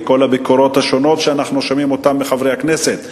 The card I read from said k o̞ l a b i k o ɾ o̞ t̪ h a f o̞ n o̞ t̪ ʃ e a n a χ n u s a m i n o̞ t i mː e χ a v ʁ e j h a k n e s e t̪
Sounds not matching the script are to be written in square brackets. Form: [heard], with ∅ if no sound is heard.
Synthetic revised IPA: k o̞ l a b i k o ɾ o̞ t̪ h a [ʃ] o̞ n o̞ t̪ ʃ e a n a χ n u [ʃ] a m i [m] o̞ t [a] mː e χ a v ʁ e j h a k n e s e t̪